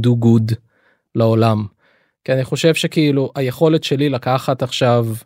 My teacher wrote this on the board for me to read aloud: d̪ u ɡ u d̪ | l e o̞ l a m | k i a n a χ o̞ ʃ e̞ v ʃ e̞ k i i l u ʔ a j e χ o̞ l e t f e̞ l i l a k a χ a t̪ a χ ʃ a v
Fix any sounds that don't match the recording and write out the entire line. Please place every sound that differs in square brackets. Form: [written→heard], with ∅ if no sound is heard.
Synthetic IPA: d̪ u ɡ u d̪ | l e o̞ l a m | k i a n [a→i] χ o̞ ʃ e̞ v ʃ e̞ k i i l u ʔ a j e χ o̞ l e t [f→ʃ] e̞ l i l a k a χ a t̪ a χ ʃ a v